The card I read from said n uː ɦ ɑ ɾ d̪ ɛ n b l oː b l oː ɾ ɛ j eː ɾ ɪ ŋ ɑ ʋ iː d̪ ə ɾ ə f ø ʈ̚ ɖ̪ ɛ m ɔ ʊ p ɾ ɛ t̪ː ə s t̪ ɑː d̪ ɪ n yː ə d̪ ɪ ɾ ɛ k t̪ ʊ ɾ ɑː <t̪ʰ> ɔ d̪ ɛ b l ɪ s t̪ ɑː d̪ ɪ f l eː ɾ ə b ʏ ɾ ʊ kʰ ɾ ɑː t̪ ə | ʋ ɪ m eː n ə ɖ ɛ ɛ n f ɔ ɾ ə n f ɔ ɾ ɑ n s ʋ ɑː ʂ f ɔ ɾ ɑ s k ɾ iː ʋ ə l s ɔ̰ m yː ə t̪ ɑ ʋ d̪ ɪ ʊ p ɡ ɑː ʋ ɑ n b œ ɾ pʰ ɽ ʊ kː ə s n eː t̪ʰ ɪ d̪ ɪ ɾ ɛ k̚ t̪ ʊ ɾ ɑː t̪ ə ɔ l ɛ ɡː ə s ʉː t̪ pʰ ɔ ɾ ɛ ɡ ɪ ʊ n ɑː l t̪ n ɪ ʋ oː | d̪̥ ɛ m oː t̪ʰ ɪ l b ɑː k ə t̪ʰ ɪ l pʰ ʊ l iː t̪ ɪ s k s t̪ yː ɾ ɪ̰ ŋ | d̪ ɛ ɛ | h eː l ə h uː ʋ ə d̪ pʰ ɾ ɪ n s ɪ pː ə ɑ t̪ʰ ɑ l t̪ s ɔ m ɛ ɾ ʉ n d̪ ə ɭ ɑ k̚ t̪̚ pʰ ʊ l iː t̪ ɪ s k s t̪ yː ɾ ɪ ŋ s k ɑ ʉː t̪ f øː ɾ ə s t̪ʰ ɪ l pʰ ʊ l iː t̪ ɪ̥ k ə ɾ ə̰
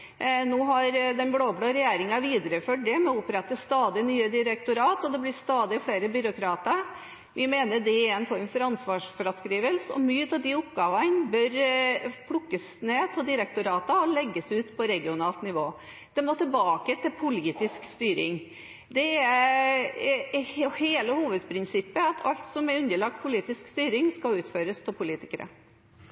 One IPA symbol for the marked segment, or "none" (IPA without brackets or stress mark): t̪